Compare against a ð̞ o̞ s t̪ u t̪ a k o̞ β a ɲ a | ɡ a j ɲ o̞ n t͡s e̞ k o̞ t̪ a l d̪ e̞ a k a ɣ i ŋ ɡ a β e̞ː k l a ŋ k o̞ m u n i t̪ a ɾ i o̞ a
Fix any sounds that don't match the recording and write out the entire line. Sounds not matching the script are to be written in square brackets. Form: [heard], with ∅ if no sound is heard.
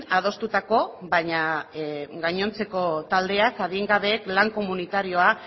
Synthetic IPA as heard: a ð̞ o̞ s t̪ u t̪ a k o̞ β a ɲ a | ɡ a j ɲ o̞ n t͡s e̞ k o̞ t̪ a l d̪ e̞ a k a [ð] i ŋ ɡ a β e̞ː k l a ŋ k o̞ m u n i t̪ a ɾ i o̞ a